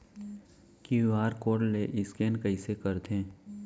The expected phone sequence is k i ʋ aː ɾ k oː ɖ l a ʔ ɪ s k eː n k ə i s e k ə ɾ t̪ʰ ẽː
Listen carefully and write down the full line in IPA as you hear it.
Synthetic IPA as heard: k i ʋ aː ɾ k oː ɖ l e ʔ ɪ s k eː n k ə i s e k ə ɾ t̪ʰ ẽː